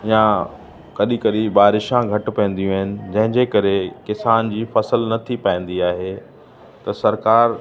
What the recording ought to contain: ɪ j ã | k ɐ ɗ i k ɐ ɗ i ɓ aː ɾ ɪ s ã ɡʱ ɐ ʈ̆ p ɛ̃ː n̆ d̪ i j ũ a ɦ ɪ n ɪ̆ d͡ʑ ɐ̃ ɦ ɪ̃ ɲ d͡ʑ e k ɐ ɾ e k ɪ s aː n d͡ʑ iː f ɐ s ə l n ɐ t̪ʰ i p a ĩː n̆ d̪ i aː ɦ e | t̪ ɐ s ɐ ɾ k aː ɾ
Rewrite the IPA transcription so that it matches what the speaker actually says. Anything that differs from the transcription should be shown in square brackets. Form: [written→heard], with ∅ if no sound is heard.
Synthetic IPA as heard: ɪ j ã | k ɐ ɗ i k ɐ ɗ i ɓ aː ɾ ɪ [s→ʃ] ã ɡʱ ɐ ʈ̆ p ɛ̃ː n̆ d̪ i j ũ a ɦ ɪ n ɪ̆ d͡ʑ ɐ̃ ɦ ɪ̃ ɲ d͡ʑ e k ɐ ɾ e k ɪ s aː n d͡ʑ iː f ɐ s ə l n ɐ t̪ʰ i p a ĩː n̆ d̪ i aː ɦ e | t̪ ɐ s ɐ ɾ k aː ɾ

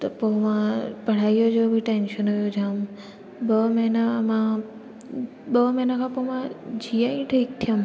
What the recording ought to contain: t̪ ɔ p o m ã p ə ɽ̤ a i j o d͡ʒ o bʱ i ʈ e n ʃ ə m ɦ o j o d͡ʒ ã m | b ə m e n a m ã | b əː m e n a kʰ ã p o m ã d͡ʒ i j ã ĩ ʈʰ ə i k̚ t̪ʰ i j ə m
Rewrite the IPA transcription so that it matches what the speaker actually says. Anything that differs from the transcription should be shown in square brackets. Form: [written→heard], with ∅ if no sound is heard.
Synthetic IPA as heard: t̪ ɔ p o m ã p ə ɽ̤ a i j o d͡ʒ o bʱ i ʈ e n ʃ ə [m→n] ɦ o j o d͡ʒ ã m | b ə m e n a m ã | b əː m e n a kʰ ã p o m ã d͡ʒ i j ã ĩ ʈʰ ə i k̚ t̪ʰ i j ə m

